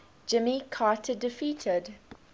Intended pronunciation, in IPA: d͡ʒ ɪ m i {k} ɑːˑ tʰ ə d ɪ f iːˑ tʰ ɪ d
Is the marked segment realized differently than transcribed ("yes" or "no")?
yes